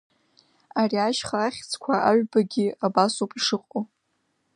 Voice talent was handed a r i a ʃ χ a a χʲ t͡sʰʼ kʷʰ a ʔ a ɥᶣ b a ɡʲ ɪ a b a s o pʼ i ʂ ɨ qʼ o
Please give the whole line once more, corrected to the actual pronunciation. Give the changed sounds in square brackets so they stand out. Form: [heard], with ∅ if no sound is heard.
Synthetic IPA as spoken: a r i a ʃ χ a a χʲ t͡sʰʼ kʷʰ a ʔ a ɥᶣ b a ɡʲ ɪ a b a s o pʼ i ʂ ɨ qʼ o

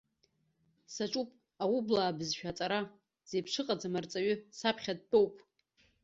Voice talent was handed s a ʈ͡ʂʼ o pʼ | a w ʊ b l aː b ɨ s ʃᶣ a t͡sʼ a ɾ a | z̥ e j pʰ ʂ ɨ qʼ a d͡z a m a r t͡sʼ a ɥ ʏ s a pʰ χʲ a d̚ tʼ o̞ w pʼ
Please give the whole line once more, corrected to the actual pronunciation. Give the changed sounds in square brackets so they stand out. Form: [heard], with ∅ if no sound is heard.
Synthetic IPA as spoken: s a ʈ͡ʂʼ [u] pʼ | a w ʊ b l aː b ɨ [z] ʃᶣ a t͡sʼ a ɾ a | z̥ e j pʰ ʂ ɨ qʼ a d͡z a m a r t͡sʼ a ɥ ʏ s a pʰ χʲ a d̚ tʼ o̞ w pʼ

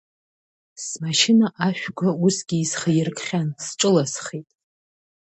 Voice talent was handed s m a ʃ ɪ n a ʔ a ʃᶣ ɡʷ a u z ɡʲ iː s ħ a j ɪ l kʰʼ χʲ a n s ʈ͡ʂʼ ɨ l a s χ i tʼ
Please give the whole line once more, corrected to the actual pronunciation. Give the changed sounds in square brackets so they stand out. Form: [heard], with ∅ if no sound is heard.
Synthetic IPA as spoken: s m a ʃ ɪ n a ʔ a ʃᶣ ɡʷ a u [s] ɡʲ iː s [χ] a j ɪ [r] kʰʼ χʲ a n s ʈ͡ʂʼ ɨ l a s χ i tʼ

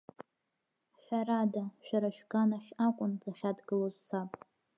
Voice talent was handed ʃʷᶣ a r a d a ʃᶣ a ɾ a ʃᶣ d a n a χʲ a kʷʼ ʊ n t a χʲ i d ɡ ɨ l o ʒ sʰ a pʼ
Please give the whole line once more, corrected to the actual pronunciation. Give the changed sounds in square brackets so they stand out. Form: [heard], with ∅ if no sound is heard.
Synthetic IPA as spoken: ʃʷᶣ a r a d a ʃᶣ a ɾ a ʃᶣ [ɡ] a n a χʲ a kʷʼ ʊ n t a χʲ [a] d ɡ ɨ l o [z] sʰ a pʼ

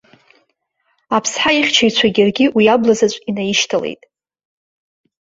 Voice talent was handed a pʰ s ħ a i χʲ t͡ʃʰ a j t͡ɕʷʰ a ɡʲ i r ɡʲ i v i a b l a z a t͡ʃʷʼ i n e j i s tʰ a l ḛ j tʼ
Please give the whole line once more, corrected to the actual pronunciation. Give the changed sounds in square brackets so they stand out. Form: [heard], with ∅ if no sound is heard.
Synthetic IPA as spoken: a pʰ s ħ a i χʲ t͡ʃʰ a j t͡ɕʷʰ a ɡʲ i r ɡʲ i [w] i a b l a z a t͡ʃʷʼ i n [a] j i [ʃ] tʰ a l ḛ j tʼ

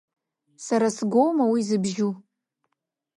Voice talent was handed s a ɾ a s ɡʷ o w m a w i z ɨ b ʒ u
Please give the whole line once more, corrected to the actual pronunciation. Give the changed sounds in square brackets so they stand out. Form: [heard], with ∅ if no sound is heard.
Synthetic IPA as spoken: s a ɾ a s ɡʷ o w m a w i z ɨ b ʒ u

